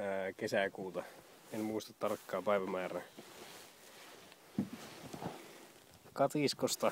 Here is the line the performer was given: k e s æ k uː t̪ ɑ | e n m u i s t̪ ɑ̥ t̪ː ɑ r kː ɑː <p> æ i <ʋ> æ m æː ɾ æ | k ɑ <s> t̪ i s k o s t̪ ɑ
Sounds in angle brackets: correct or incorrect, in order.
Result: correct, correct, incorrect: none

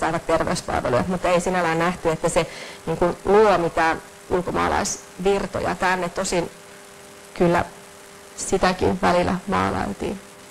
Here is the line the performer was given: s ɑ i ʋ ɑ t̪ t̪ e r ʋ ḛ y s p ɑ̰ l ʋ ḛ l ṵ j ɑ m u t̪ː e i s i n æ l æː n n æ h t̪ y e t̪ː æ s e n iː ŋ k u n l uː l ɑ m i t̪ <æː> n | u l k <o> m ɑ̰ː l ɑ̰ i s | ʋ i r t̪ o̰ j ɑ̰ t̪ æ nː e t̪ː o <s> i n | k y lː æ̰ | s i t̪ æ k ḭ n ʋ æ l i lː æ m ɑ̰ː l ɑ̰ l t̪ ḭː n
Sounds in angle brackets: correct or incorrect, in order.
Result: correct, correct, correct

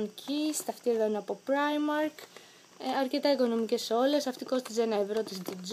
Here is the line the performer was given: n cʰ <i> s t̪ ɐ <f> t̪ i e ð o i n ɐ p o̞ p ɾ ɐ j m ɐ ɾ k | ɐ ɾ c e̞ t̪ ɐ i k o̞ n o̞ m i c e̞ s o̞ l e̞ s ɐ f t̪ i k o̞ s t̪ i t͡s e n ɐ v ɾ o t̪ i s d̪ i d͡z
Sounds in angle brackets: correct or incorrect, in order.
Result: correct, correct

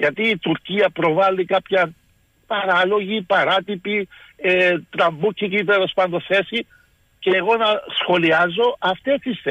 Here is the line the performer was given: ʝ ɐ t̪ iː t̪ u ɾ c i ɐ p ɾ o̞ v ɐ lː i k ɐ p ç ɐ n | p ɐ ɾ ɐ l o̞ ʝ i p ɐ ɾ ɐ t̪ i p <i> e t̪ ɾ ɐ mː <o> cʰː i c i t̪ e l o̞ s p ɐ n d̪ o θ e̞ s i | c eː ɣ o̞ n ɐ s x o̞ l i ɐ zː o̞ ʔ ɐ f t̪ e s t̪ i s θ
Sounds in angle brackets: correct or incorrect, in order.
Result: correct, incorrect: u

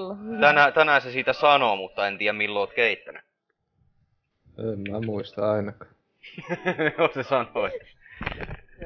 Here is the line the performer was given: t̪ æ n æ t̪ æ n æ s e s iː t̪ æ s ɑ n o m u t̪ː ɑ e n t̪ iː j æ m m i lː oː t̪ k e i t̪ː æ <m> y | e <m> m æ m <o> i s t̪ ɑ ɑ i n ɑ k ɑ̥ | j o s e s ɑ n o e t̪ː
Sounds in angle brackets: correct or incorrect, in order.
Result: incorrect: n, correct, incorrect: u

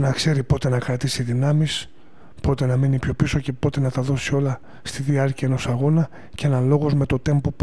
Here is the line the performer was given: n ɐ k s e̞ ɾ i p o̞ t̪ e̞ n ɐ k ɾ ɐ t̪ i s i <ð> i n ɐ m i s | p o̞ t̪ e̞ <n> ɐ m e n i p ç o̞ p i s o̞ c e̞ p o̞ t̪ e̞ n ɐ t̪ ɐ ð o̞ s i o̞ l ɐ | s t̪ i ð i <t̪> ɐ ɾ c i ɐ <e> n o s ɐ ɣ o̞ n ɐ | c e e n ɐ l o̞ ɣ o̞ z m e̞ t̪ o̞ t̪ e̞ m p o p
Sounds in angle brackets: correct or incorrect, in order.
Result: correct, correct, incorrect: none, correct

